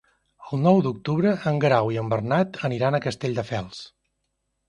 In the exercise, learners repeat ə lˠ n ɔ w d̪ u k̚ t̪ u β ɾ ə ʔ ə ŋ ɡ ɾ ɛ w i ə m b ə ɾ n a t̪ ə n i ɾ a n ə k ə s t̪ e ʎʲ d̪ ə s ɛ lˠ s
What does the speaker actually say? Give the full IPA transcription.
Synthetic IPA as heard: ə lˠ n ɔ w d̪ u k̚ t̪ u β ɾ ə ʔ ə ŋ ɡ ɾ a w i ə m b ə r n a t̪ ə n i ɾ a n ə k ə s t̪ e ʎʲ d̪ ə f ɛ lˠ s